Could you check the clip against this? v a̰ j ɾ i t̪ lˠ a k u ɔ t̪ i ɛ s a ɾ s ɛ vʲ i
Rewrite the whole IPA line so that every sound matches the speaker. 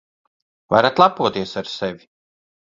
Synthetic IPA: v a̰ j ɾ a t̪ lˠ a p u ɔ t̪ i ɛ s a ɾ s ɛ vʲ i